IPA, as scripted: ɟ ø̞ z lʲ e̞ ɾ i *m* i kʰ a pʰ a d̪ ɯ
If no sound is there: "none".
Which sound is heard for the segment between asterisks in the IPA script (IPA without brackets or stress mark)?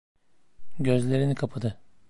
n